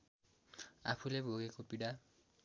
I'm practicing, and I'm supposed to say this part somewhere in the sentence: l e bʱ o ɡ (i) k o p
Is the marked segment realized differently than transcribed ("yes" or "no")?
yes